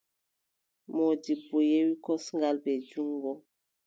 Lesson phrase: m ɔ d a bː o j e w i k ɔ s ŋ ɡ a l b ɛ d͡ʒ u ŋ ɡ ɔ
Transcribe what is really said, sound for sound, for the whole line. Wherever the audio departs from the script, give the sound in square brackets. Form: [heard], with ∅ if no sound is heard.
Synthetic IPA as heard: m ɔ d [i] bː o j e w i k ɔ s ŋ ɡ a l b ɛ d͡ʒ u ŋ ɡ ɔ